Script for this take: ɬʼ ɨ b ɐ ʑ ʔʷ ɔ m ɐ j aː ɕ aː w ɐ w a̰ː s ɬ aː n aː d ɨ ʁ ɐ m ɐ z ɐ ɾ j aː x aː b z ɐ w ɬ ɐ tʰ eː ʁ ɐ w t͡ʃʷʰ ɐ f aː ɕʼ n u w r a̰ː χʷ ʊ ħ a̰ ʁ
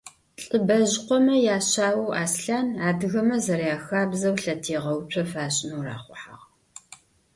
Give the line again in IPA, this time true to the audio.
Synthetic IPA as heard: ɬʼ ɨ b ɐ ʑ qʷ ɔ m ɐ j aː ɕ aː w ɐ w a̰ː s ɬ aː n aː d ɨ ɣ ɐ m ɐ z ɐ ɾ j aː x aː b z ɐ w ɬ ɐ tʰ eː ʁ ɐ w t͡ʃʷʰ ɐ f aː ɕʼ n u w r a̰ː χʷ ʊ ħ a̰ ʁ